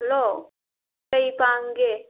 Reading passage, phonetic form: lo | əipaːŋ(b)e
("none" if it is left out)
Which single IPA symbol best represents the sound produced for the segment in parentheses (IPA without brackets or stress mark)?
ɡ